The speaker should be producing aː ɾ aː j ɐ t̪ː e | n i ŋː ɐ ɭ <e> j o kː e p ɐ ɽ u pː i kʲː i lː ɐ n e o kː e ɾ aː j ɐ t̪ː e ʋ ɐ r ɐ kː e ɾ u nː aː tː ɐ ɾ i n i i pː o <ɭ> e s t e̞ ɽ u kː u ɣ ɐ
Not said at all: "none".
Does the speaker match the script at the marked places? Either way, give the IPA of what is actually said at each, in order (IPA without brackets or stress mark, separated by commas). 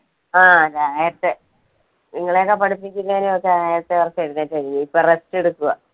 e, r